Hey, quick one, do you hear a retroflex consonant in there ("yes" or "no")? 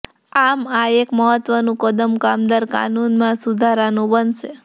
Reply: no